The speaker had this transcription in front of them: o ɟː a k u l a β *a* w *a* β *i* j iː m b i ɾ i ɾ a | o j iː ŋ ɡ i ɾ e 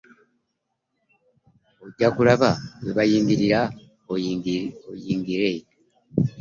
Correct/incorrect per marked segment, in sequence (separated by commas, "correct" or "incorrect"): correct, incorrect, incorrect